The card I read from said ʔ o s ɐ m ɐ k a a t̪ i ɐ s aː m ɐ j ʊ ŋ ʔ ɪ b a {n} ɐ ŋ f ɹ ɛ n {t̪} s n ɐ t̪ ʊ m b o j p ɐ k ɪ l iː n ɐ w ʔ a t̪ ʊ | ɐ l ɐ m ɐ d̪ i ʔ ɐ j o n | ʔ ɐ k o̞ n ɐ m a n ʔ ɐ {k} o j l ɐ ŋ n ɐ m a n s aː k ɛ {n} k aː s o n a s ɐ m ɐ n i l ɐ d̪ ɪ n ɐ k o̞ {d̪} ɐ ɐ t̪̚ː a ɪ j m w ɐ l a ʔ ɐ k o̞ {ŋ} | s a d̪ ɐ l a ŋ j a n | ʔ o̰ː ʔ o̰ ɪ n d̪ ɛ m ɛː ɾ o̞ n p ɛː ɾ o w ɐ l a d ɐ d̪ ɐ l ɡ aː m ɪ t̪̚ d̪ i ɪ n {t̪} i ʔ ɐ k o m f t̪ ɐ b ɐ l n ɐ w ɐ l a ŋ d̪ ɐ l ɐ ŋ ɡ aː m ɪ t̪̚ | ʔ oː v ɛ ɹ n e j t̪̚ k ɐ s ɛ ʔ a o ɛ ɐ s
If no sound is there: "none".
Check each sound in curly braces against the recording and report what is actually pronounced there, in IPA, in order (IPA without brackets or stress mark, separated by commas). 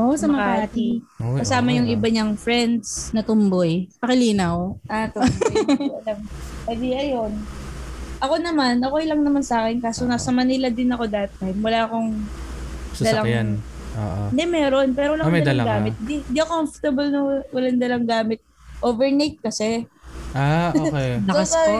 ɲ, d̪, k, n, d̪, ŋ, d̪